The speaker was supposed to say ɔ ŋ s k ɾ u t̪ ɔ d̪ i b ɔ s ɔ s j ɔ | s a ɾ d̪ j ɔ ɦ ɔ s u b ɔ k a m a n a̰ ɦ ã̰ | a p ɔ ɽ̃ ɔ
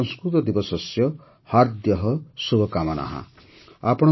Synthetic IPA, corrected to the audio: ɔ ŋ s k ɾ u t̪ ɔ d̪ i b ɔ s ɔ s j ɔ | h a ɾ d̪ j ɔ ɦ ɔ s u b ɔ k a m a n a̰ ɦ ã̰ | a p ɔ ɽ̃ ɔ